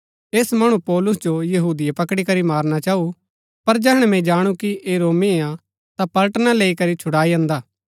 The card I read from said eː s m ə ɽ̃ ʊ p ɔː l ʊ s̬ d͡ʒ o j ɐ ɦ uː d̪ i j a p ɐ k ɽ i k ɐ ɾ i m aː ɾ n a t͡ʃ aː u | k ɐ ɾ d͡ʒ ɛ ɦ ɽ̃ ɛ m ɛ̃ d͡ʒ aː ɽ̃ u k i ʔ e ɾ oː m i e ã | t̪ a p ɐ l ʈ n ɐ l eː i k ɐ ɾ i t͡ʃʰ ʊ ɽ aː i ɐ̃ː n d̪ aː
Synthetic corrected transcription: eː s m ɐ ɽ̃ u p ɔː l ʊ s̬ d͡ʒ o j ɐ ɦ uː d̪ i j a p ɐ k ɽ i k ɐ ɾ i m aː ɾ n a t͡ʃ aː u | p ɐ ɾ d͡ʒ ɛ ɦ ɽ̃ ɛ m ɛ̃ d͡ʒ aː ɽ̃ u k i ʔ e ɾ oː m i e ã | t̪ a p ɐ l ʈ n a l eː i k ɐ ɾ i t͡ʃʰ ʊ ɽ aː i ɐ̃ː n d̪ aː